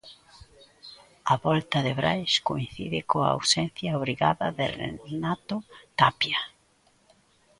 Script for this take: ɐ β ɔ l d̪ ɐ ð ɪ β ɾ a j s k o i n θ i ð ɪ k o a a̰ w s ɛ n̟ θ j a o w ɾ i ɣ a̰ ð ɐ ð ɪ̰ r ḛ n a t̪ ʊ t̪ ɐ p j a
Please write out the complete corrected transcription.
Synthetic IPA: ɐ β ɔ l t̪ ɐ ð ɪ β ɾ a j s k o i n θ i ð ɪ k o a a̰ w s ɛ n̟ θ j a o β ɾ i ɣ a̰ ð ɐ ð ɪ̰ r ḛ n a t̪ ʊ t̪ a p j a